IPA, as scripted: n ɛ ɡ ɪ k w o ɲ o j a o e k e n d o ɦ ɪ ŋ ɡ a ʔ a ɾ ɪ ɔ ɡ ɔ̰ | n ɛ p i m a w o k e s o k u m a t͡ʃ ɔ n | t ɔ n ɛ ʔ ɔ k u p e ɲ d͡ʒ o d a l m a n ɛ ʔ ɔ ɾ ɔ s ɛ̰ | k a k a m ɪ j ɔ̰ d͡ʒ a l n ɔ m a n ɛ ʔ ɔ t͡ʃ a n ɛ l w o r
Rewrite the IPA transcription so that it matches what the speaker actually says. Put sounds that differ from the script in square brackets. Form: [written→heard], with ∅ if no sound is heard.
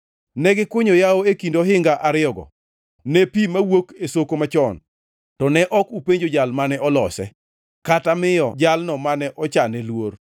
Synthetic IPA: n ɛ ɡ ɪ k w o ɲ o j a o e k [e→i] n d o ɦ ɪ ŋ ɡ a ʔ a ɾ ɪ ɔ ɡ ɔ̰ | n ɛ p i m a w o k e s o k [u→o] m a t͡ʃ ɔ n | t ɔ n ɛ ʔ ɔ k u p e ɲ d͡ʒ o [d→d͡ʒ] a l m a n ɛ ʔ ɔ [ɾ→l] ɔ s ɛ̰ | k a [k→t] a m ɪ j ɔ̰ d͡ʒ a l n ɔ m a n ɛ ʔ ɔ t͡ʃ a n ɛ l w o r